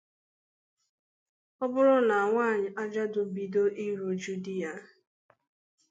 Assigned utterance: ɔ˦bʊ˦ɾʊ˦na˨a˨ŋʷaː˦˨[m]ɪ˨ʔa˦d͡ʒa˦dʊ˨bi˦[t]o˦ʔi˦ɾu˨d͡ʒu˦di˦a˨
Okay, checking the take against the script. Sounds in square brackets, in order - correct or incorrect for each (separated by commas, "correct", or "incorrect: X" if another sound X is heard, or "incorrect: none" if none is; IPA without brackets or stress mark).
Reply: incorrect: ɲ, incorrect: d